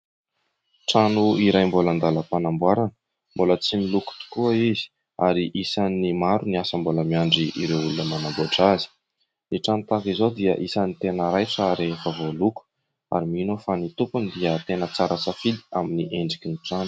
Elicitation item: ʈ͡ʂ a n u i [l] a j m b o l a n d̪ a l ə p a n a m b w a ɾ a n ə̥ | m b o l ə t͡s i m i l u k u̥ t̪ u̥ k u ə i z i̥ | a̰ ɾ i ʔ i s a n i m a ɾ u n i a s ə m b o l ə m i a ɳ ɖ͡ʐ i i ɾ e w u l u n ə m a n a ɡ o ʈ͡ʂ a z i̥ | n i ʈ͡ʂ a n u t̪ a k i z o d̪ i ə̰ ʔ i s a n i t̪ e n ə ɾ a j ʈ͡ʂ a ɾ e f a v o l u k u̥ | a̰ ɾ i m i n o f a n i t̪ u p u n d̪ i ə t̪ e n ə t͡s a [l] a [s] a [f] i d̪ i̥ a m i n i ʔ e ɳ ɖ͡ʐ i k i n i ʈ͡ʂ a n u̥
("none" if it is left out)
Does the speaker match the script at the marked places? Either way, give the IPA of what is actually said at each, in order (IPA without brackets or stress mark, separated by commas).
ɾ, ɾ, s, f